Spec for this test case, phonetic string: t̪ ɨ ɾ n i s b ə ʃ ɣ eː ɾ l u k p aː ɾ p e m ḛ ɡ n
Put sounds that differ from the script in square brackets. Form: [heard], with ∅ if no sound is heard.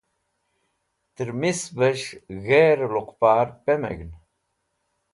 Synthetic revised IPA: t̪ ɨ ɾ [m] i s b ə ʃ ɣ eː ɾ l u [q] p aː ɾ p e m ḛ ɡ n